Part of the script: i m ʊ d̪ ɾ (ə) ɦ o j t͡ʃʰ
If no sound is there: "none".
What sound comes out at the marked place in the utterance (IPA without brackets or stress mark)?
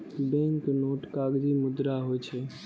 a